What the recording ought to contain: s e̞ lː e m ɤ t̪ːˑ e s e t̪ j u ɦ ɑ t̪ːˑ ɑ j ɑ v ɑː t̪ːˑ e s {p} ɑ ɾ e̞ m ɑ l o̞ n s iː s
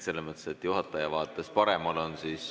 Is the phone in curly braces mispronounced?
no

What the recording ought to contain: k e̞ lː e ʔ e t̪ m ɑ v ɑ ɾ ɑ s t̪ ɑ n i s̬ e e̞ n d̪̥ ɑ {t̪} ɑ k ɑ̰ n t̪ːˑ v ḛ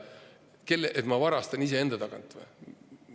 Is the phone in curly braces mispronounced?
no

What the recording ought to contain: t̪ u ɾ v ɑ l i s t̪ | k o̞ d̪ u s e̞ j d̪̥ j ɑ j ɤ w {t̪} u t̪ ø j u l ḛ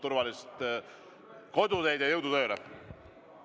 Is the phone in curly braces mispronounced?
yes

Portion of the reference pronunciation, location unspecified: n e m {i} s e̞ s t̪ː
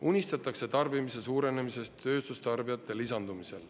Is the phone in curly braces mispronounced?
no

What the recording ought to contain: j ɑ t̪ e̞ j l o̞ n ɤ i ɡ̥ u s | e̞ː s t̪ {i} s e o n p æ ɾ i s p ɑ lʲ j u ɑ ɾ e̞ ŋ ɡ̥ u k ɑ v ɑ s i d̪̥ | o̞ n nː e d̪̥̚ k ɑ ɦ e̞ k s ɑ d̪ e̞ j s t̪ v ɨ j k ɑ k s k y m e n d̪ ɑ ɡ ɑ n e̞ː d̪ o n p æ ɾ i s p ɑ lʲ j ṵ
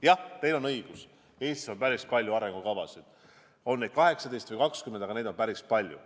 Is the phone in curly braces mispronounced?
no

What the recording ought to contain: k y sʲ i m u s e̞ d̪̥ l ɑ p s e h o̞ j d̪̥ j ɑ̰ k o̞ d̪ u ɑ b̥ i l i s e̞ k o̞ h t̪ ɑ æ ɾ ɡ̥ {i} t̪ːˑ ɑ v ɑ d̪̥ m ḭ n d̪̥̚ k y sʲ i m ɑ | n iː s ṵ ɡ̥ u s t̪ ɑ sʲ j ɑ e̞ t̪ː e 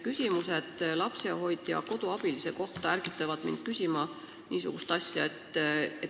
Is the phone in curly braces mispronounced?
no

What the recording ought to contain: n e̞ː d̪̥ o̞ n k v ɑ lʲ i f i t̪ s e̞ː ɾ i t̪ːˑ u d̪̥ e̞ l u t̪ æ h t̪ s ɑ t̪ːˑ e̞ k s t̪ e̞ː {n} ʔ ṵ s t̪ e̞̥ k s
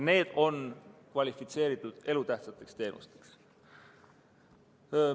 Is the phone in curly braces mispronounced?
no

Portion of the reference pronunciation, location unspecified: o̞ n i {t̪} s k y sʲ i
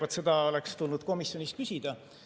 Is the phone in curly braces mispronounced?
yes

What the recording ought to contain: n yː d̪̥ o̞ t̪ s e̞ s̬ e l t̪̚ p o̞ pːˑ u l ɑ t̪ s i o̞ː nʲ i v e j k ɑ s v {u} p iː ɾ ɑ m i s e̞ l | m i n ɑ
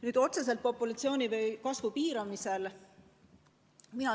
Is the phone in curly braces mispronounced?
no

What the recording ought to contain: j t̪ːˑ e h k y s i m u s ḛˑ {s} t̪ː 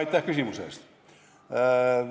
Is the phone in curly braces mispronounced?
no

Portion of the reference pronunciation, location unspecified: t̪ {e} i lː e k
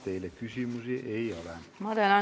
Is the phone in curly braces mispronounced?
no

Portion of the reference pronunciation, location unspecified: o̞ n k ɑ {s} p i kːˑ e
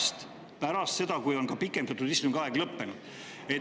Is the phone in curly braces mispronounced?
yes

